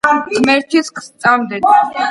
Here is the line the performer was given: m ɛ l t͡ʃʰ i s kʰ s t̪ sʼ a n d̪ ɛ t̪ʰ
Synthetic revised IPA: m ɛ ɾ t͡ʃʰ i s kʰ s t̪ sʼ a m d̪ ɛ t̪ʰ